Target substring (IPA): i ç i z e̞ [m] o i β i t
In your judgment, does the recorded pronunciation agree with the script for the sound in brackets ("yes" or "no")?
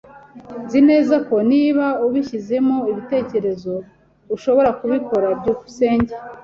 yes